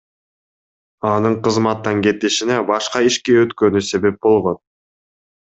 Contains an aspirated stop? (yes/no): no